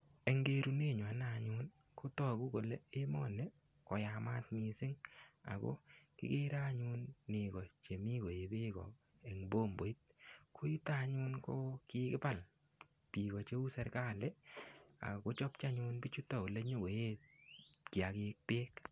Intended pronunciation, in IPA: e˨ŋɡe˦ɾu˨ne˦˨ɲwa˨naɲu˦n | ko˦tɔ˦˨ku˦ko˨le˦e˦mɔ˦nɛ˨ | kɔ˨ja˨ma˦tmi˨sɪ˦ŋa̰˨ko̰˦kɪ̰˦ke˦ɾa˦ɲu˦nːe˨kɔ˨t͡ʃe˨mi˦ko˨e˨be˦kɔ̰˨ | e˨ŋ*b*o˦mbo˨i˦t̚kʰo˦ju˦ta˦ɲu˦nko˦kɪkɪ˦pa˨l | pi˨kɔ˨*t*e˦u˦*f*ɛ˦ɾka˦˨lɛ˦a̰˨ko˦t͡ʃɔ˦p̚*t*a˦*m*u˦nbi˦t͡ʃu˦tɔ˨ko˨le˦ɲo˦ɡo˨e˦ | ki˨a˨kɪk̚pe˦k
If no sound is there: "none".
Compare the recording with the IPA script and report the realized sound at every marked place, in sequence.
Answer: b, t͡ʃ, s, t͡ʃ, ɲ

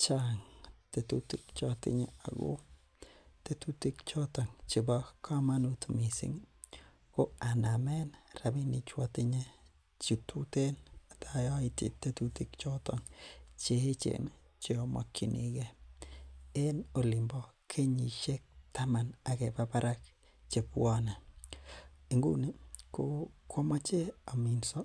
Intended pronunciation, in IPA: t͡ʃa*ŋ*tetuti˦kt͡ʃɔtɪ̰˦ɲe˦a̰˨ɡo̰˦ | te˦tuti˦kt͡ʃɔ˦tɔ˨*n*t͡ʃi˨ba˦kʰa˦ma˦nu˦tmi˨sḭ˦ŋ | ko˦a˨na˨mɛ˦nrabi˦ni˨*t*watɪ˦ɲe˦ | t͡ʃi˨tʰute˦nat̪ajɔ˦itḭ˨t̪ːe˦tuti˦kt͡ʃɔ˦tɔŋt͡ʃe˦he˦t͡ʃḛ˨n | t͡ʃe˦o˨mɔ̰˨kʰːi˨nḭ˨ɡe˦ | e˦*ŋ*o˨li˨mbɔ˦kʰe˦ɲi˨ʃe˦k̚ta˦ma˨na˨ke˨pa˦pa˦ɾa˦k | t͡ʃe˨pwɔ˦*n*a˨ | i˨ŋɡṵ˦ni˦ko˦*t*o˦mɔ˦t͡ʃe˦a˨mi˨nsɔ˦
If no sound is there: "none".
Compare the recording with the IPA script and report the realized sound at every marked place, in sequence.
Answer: ŋ, ŋ, t͡ʃ, n, n, k

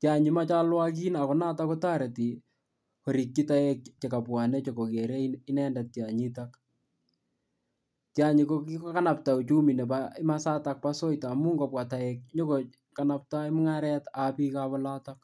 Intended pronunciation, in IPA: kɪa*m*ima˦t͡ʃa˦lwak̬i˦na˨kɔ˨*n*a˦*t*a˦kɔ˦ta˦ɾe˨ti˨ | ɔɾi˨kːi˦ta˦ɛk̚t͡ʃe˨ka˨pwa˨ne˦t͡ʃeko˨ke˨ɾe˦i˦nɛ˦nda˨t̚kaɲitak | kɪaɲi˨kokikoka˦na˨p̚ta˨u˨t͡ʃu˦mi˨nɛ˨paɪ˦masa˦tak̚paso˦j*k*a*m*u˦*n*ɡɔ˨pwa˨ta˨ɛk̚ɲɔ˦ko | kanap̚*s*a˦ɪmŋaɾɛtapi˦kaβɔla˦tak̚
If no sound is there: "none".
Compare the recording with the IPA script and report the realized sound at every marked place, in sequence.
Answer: ɲ, n, t, t, m, ŋ, t

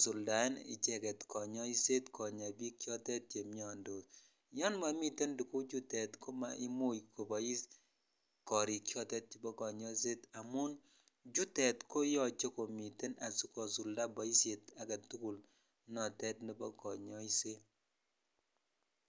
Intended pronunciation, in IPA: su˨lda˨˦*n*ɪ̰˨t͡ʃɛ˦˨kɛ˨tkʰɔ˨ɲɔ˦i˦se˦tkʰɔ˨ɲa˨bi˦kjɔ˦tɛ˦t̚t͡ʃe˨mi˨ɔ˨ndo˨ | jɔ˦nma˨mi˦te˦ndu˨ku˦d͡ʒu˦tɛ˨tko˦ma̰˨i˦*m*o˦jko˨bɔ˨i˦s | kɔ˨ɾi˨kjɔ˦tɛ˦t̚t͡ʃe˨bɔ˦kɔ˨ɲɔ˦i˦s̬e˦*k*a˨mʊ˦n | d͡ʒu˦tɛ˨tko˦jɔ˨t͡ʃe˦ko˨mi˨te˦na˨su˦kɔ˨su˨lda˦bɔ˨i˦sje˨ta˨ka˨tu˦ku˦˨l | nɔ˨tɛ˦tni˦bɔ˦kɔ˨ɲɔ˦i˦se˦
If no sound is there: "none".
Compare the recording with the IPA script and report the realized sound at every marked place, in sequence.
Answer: n, m, t

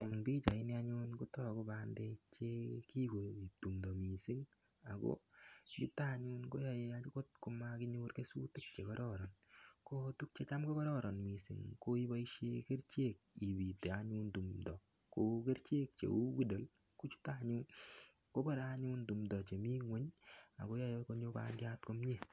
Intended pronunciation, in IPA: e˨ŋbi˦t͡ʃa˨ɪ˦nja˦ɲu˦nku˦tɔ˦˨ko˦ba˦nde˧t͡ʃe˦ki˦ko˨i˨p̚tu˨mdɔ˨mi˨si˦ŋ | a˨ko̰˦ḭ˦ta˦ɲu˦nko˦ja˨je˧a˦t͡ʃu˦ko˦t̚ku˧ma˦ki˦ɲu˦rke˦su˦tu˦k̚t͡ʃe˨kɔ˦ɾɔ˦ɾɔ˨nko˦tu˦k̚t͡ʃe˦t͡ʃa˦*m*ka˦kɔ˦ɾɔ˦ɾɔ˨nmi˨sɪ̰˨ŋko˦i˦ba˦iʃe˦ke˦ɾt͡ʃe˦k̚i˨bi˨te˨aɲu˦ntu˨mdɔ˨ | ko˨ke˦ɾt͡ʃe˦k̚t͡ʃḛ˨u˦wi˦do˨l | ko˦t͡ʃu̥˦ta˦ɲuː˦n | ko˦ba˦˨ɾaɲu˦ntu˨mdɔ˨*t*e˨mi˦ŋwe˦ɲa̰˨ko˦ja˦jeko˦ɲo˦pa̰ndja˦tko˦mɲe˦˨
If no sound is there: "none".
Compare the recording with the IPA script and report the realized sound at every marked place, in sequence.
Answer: m, t͡ʃ

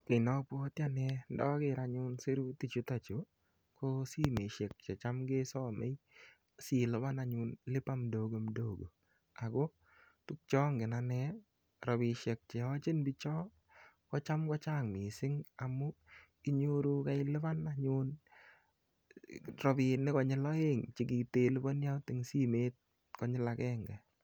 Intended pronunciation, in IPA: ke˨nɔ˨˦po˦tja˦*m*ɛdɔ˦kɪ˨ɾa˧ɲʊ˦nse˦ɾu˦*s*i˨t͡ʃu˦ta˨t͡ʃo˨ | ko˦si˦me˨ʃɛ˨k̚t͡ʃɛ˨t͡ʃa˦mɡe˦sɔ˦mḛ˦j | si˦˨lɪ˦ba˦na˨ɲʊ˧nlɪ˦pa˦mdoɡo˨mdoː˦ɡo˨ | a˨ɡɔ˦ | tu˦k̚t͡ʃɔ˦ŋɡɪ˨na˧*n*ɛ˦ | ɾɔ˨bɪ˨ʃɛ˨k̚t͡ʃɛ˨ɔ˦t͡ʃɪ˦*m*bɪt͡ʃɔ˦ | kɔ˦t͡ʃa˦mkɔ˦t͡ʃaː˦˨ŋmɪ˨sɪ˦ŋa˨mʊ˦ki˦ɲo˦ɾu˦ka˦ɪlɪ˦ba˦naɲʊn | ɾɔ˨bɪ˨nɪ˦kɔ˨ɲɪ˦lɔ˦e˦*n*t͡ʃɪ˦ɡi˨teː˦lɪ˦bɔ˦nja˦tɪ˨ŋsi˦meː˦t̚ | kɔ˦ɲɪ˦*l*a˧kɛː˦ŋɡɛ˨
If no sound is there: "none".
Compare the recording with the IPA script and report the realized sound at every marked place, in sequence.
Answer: n, t, n, n, ŋ, l

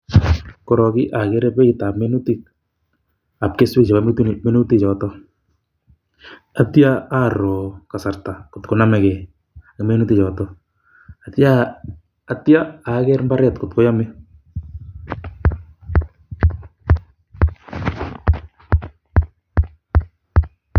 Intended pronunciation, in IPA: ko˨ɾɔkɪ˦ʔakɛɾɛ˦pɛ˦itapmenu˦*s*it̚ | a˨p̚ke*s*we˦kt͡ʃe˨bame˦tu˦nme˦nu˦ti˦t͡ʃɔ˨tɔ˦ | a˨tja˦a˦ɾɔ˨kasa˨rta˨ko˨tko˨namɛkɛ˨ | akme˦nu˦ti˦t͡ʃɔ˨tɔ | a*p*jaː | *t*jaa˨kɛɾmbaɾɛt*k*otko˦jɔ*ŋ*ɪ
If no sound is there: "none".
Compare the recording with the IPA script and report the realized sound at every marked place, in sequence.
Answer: t, s, t, t, k, m

